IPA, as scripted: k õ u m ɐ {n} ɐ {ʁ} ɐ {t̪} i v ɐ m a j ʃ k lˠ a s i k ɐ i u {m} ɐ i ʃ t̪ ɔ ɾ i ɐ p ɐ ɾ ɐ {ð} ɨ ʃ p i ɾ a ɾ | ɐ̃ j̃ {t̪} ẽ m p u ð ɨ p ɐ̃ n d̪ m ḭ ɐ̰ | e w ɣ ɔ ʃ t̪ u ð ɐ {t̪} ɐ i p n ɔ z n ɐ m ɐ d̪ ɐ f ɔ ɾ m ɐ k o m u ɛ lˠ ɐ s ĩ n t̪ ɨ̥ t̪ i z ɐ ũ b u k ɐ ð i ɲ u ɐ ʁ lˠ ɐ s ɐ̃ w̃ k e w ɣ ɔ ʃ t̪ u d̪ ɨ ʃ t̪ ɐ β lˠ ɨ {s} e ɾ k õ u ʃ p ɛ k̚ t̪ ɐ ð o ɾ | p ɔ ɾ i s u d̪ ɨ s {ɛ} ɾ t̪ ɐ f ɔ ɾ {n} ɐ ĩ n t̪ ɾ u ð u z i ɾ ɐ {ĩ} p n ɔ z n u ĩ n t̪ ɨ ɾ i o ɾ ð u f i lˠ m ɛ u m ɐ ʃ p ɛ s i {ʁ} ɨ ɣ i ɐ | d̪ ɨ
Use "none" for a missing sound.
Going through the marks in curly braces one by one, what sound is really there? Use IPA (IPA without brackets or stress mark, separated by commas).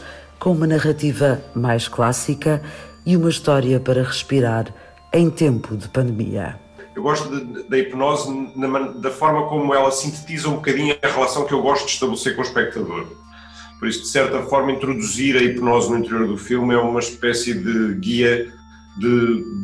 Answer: n, ʁ, t̪, m, ʁ, t̪, d̪, s, ɛ, m, i, ð